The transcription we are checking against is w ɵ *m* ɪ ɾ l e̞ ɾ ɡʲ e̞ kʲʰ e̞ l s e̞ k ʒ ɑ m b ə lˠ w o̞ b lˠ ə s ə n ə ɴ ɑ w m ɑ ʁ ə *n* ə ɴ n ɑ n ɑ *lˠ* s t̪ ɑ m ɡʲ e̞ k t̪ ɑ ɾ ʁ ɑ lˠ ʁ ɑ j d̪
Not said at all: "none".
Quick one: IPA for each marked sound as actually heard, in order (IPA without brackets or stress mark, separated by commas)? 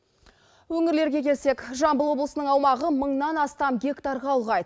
ŋ, m, none